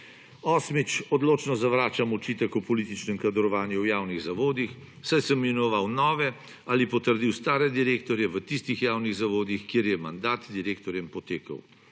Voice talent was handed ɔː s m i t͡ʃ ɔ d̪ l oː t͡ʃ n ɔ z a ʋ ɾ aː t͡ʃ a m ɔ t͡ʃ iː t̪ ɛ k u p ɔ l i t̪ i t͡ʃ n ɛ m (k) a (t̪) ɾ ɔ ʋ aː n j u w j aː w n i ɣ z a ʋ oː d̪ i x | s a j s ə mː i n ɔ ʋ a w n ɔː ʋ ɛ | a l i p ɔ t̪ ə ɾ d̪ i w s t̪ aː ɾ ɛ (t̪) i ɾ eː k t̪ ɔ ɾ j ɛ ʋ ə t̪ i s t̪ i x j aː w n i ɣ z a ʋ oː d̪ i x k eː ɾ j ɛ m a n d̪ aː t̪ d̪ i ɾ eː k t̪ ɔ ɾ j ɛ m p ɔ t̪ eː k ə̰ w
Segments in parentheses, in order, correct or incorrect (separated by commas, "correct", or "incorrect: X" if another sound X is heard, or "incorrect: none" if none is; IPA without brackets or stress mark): correct, incorrect: d̪, incorrect: d̪